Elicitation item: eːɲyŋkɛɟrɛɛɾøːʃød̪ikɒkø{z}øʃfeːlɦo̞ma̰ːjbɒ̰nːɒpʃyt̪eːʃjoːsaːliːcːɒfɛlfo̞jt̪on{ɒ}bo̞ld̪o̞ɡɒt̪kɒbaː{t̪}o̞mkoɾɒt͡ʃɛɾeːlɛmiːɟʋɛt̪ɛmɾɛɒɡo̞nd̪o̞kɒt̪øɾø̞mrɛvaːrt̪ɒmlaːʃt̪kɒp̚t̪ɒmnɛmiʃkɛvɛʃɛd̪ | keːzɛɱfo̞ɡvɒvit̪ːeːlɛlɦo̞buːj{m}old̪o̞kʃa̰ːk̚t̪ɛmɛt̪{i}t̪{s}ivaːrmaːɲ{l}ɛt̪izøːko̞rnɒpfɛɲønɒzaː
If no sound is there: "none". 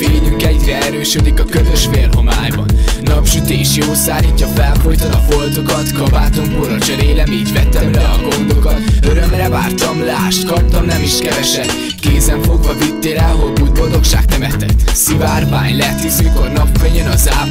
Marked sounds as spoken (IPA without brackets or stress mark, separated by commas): z, ɒ, t̪, b, ɛ, s, l